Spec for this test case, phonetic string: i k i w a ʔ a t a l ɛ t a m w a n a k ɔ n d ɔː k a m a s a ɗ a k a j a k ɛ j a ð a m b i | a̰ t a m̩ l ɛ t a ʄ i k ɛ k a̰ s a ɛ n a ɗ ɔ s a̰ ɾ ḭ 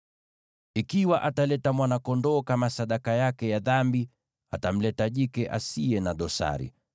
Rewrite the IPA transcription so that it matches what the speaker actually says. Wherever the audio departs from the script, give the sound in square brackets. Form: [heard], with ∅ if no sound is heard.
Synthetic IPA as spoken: i k i w a ʔ a t a l ɛ t a m w a n a k ɔ n d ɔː k a m a s a ɗ a k a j a k ɛ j a ð a m b i | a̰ t a m̩ l ɛ t a ʄ i k ɛ [ʔ] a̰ s [i] ɛ n a ɗ ɔ s a̰ ɾ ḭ